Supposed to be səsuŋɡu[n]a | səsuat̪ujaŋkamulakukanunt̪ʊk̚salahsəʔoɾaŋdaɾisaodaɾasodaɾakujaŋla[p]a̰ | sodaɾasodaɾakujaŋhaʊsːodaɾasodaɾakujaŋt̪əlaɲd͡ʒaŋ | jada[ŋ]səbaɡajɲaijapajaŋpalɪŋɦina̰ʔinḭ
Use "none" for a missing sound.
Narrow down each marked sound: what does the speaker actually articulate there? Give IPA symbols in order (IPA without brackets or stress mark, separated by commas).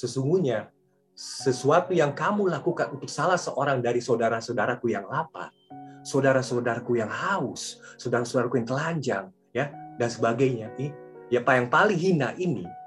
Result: ɲ, p, n